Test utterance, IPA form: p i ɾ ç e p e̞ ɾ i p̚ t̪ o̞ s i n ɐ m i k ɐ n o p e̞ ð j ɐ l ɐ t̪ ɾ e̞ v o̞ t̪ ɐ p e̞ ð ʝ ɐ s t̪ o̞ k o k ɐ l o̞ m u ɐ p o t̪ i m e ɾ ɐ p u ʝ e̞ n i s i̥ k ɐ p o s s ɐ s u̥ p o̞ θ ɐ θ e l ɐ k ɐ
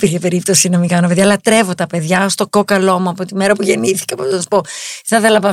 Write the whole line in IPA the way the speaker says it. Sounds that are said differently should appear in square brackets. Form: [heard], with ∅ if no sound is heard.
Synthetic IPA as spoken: p i ɾ ç e p e̞ ɾ i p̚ t̪ o̞ s i n ɐ m i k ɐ n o p e̞ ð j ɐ l ɐ t̪ ɾ e̞ v o̞ t̪ ɐ p e̞ ð ʝ ɐ s t̪ o̞ k o k ɐ l o̞ m u ɐ p o t̪ i m e ɾ ɐ p u ʝ e̞ n i [θ] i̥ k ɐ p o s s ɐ s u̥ p o̞ θ ɐ θ e l ɐ [p] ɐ